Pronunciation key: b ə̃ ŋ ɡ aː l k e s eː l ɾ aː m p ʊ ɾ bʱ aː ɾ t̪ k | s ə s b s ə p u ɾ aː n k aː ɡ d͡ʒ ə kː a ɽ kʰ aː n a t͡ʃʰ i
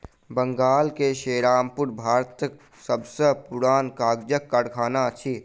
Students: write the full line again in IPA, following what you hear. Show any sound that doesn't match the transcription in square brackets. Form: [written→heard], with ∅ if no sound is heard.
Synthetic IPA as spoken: b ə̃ ŋ ɡ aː l k e [s→ʃ] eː [l→∅] ɾ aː m p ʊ ɾ bʱ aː ɾ t̪ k | s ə [s→∅] b s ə p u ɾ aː n k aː ɡ d͡ʒ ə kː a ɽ kʰ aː n a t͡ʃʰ i